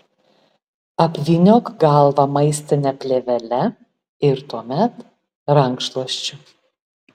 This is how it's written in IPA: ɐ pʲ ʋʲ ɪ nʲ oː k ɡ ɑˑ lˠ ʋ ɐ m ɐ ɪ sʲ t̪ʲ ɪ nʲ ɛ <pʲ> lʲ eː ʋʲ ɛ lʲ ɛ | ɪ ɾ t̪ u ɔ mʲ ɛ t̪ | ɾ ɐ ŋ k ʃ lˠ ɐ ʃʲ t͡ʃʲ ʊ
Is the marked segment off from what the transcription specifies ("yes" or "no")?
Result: no